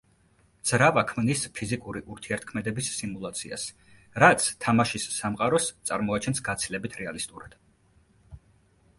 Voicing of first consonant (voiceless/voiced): voiced